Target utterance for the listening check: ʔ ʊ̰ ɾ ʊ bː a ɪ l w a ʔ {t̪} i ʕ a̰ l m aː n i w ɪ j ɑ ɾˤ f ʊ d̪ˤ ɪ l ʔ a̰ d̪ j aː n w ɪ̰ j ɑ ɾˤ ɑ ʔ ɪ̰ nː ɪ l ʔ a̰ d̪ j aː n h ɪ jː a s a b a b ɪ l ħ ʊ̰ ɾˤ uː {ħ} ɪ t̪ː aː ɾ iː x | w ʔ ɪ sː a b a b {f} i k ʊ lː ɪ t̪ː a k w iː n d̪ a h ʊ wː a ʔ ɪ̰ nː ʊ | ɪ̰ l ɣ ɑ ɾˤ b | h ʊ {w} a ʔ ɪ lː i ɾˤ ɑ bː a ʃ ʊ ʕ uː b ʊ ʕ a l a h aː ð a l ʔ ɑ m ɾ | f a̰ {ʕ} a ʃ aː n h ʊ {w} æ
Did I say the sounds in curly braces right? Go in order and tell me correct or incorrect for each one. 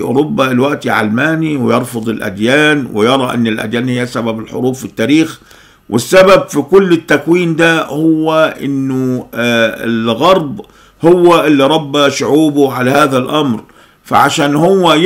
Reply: correct, incorrect: f, correct, incorrect: wː, correct, incorrect: wː

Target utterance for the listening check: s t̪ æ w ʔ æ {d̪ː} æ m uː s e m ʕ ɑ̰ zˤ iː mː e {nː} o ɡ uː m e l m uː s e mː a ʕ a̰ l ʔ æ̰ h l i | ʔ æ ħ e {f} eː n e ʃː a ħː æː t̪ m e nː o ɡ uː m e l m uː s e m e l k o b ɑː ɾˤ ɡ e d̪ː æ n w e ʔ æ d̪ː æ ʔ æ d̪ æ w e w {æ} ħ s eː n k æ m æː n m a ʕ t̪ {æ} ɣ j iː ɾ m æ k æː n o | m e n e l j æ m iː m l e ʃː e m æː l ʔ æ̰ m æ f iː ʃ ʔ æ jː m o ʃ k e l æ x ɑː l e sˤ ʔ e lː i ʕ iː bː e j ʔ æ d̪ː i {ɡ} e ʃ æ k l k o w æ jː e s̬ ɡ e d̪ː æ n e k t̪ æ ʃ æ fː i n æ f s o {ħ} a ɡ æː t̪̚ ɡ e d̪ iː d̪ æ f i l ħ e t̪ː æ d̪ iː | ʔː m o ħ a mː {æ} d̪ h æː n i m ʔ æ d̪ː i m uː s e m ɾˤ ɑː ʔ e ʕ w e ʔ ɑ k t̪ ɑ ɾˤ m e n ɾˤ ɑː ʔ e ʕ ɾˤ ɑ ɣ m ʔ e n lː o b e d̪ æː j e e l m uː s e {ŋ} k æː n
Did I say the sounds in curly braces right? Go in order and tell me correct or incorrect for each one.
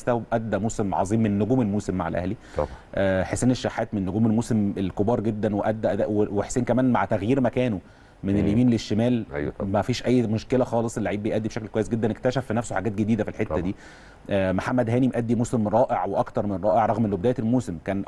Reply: correct, correct, incorrect: s, incorrect: e, correct, incorrect: b, correct, correct, incorrect: m

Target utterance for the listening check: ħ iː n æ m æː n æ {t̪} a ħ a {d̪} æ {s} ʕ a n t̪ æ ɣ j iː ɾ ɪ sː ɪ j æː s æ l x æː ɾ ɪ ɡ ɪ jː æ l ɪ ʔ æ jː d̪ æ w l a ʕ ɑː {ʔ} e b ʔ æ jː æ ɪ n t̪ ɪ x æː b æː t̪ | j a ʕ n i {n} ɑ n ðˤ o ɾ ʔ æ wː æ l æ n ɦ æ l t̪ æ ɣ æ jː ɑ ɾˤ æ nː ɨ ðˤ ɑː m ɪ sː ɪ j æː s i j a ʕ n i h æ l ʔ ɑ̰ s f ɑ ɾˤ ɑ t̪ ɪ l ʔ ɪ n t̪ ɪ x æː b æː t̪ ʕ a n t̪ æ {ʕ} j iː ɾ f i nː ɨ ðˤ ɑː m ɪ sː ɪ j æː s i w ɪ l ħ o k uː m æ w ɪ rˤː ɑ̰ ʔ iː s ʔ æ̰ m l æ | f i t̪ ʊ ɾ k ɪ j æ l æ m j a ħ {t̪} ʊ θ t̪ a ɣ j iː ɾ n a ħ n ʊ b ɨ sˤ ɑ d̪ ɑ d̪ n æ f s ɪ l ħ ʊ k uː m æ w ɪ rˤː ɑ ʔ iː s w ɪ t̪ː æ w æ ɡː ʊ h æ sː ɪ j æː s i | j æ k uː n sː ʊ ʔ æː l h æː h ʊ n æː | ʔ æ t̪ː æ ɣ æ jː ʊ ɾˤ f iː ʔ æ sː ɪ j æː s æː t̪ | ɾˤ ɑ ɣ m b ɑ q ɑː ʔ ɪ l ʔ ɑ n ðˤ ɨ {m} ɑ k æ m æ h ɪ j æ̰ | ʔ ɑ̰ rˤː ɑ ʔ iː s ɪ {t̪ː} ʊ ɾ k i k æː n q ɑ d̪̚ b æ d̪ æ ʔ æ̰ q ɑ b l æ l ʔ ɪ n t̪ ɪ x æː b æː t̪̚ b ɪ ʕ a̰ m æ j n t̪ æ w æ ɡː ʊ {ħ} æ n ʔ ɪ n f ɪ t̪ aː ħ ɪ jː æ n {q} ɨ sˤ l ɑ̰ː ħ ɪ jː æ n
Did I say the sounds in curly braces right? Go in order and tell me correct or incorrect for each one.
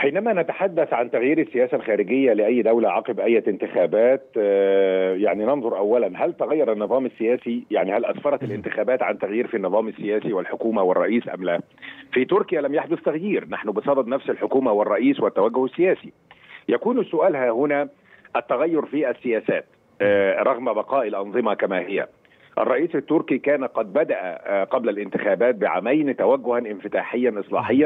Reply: correct, incorrect: d̪ː, incorrect: θ, incorrect: q, correct, incorrect: ɣ, incorrect: d̪, correct, correct, incorrect: h, incorrect: ʔ

